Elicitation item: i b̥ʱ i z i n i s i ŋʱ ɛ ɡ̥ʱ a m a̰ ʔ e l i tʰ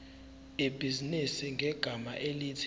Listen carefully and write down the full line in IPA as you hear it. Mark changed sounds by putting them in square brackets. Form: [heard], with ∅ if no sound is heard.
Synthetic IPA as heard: i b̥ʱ i z i n i s i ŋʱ ɛ ɡ̥ʱ a m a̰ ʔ e l i tʰ